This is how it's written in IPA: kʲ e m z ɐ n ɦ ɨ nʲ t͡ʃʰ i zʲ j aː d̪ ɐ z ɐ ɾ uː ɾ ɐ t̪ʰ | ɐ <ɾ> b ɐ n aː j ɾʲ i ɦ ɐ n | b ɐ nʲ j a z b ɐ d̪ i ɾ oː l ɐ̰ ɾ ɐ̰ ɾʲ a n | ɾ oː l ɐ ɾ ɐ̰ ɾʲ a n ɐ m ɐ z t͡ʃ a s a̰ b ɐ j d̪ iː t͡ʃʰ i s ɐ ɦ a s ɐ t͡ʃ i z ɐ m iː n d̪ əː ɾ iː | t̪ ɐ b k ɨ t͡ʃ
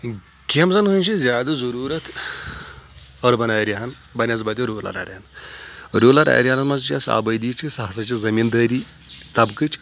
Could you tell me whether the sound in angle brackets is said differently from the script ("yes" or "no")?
no